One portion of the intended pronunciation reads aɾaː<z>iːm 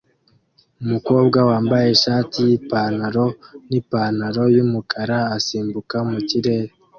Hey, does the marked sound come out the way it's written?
no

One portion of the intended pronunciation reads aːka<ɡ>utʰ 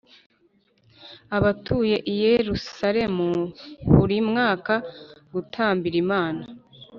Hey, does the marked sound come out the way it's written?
yes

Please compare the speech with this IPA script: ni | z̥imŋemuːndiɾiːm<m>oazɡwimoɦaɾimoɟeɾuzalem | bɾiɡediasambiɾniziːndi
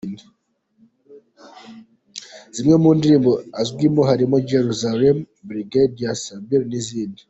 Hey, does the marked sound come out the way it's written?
no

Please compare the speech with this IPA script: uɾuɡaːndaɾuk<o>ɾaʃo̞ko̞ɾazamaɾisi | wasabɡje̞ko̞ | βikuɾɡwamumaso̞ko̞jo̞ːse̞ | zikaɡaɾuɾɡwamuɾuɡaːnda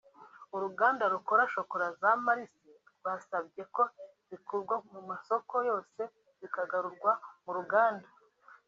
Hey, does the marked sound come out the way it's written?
yes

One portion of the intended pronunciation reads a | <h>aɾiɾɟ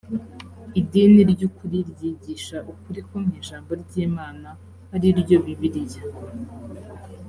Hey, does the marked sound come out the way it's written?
yes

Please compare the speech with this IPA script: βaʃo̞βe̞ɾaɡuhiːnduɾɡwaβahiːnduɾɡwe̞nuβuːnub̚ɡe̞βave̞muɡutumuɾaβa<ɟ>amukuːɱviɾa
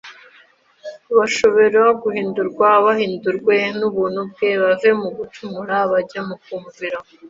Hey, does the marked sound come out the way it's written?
yes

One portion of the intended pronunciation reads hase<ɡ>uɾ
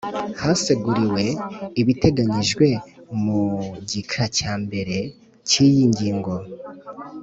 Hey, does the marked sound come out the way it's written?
yes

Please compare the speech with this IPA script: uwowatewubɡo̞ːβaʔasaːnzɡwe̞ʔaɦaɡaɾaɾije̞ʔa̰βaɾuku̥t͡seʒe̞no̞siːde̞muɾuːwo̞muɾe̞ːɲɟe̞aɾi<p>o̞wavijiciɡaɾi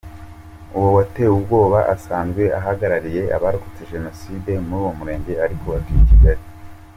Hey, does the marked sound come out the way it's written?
no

